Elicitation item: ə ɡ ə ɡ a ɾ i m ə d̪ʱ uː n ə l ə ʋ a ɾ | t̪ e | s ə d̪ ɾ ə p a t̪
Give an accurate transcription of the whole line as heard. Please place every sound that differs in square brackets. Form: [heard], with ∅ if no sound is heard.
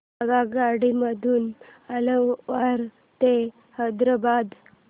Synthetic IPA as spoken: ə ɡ [a] ɡ a [ɽ] i m ə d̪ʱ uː n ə l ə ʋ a ɾ | t̪ e | [h] ə d̪ ɾ ə [b] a [d̪]